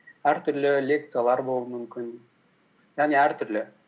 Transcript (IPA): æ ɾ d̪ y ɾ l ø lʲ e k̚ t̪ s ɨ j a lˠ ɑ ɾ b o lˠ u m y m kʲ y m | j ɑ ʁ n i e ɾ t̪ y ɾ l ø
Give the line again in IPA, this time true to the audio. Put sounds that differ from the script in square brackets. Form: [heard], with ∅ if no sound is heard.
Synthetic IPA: æ ɾ [t̪] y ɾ l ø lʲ e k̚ t̪ s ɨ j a lˠ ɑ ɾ b o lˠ u m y m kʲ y [n] | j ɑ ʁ n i [æ] ɾ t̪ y ɾ l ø